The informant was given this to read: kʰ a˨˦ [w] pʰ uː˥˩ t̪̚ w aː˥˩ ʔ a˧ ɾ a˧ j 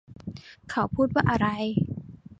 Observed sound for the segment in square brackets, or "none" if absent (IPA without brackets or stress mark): w